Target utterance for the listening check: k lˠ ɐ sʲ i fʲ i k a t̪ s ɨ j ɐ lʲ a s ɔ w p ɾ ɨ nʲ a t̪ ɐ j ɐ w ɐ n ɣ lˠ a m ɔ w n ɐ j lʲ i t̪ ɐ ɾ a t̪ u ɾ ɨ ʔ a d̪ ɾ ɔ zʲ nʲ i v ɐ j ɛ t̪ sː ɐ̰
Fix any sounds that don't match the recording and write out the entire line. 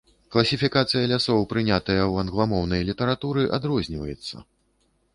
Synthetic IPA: k lˠ ɐ sʲ i fʲ i k a t̪ s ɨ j ɐ lʲ a s ɔ w p ɾ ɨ nʲ a t̪ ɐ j ɐ w ɐ n ɣ lˠ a m ɔ w n ɐ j lʲ i t̪ ɐ ɾ a t̪ u ɾ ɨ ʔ a d̪ ɾ ɔ zʲ nʲ i v ɐ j ɛ t̪ sː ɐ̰